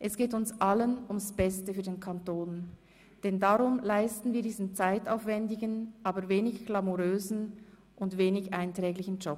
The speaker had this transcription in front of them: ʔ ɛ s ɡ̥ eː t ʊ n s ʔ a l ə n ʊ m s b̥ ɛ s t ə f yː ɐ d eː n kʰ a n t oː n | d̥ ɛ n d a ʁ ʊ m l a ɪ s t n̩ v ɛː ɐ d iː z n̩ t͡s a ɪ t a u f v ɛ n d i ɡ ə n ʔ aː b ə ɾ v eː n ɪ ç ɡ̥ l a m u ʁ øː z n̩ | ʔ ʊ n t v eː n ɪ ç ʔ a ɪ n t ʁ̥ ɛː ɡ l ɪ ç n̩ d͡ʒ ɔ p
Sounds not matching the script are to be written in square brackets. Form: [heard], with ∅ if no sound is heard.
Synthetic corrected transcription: ʔ ɛ s ɡ̥ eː t ʊ n s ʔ a l ə n ʊ m s b̥ ɛ s t ə f yː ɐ d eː n kʰ a n t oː n | d̥ ɛ n d a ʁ ʊ m l a ɪ s t n̩ v [iː] ɐ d iː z n̩ t͡s a ɪ t a [ʊ] f v ɛ n d [ɪ] ɡ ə n ʔ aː b ə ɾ v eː n ɪ ç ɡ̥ l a m u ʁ øː z n̩ | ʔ ʊ n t v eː n ɪ ç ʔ a ɪ n t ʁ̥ ɛː ɡ l ɪ ç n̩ d͡ʒ ɔ p

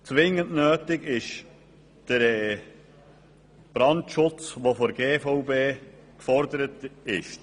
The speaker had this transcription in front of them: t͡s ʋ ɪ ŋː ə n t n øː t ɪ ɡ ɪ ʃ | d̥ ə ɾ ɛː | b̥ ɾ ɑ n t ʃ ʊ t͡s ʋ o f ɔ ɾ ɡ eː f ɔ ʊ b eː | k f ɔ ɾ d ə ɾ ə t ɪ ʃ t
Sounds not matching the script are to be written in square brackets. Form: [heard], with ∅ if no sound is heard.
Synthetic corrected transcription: t͡s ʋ ɪ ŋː ə n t n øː t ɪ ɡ ɪ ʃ | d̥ ə ɾ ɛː | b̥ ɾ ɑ n t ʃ ʊ t͡s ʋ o f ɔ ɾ ɡ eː f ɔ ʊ b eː | k f ɔ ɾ d ə ɾ ə t ɪ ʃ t

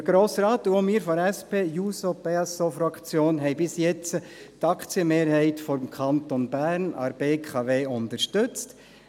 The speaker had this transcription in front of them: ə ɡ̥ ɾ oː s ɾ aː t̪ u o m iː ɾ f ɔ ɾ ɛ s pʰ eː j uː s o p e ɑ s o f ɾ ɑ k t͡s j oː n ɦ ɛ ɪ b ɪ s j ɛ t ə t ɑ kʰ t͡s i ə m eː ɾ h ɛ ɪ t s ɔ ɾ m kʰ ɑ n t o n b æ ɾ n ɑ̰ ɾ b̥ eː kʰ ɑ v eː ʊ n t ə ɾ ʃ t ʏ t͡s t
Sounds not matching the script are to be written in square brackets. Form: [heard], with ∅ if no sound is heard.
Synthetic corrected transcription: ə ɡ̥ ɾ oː s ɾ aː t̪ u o m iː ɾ f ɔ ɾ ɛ s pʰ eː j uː s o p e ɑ s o f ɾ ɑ k t͡s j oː n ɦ ɛ ɪ b ɪ s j ɛ [t͡s] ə t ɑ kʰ t͡s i ə m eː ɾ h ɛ ɪ t [f] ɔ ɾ m kʰ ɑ n t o n b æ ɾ n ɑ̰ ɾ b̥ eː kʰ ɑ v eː ʊ n t ə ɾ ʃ t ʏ t͡s t

